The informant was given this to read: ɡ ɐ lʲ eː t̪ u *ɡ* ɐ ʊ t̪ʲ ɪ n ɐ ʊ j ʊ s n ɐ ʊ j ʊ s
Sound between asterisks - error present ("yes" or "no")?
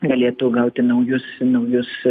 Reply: no